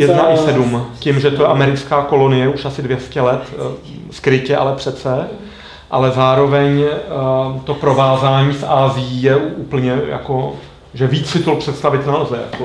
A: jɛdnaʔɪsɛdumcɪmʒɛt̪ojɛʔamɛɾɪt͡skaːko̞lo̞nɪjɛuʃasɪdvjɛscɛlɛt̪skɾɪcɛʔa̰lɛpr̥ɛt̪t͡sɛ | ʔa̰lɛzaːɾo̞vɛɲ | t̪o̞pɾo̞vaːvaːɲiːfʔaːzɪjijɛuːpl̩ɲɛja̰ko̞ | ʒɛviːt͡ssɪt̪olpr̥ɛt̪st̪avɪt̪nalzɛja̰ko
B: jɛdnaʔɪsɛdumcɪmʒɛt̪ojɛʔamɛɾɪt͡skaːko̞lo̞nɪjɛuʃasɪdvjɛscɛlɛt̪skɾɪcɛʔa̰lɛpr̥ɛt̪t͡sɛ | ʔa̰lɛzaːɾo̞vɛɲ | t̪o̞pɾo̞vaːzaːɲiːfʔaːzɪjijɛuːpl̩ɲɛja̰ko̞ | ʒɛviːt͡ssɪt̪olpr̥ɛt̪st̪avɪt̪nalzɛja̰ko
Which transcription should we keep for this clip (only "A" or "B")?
B